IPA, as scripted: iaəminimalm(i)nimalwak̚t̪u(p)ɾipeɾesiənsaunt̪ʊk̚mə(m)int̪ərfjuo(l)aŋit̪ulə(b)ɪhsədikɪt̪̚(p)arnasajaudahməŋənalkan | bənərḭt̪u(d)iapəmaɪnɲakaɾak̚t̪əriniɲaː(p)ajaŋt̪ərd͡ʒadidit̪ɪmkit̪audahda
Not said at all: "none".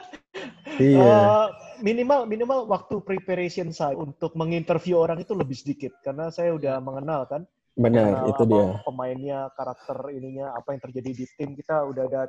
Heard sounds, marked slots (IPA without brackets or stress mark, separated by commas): i, p, ŋ, ɾ, b, k, d, p